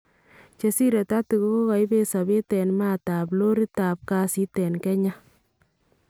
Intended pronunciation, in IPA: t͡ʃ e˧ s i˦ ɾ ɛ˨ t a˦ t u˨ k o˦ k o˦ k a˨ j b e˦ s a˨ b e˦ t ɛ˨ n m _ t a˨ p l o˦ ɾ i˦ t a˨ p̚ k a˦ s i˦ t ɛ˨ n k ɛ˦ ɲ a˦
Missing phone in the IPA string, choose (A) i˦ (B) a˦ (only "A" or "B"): B